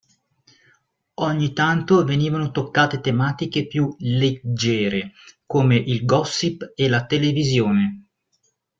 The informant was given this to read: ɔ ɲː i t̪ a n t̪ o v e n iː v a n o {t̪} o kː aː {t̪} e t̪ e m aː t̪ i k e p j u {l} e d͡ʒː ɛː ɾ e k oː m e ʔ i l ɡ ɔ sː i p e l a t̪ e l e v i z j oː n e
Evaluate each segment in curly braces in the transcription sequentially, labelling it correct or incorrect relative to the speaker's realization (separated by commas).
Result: correct, correct, correct